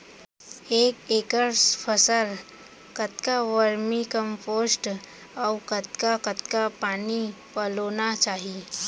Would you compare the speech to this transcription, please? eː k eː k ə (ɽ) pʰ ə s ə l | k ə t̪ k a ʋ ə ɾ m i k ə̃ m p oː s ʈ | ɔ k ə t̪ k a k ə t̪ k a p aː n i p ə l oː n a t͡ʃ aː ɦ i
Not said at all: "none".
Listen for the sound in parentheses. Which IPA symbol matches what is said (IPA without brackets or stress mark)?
ɾ